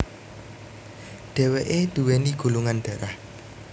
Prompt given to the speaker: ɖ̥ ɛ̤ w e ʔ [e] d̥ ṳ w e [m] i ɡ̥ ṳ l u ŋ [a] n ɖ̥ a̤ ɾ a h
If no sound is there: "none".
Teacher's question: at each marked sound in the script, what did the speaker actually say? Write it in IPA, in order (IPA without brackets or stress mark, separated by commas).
e, n, a